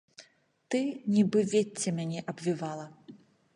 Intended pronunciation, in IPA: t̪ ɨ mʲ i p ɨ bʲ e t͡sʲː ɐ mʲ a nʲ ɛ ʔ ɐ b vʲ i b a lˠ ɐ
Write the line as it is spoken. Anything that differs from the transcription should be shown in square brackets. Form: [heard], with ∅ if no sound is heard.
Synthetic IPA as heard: t̪ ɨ [nʲ] i [b] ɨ [vʲ] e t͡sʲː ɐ mʲ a nʲ ɛ ʔ ɐ b vʲ i [v] a lˠ ɐ